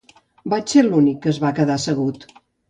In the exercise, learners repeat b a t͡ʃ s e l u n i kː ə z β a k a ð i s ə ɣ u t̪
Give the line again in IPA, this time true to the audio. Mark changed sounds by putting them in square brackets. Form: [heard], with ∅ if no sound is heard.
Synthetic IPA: b a t͡ʃ s e l u n i kː ə z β a k [ə] ð [a] s ə ɣ u t̪